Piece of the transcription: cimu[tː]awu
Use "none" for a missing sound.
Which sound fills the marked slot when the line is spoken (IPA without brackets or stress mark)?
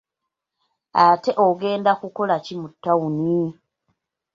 tː